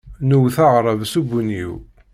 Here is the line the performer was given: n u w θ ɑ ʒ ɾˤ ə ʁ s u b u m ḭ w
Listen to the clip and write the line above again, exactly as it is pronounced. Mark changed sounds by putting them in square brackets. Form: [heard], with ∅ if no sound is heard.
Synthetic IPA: n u w θ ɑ [ʁ] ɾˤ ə [v] s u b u [n] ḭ w

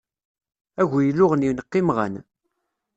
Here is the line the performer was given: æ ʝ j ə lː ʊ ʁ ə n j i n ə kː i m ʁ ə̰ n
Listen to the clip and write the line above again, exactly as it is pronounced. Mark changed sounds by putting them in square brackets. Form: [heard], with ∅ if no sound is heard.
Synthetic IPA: æ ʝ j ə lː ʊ ʁ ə n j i n ə [qː] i m ʁ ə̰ n

